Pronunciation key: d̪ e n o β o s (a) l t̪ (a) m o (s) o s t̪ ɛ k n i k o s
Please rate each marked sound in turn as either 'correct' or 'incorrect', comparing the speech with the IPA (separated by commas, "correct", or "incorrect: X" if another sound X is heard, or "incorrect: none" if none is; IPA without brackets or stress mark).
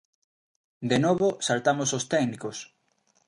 correct, correct, correct